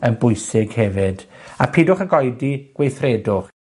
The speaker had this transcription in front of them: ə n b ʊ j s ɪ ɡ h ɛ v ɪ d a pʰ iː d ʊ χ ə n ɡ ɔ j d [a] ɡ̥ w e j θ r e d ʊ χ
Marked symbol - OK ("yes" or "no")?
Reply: no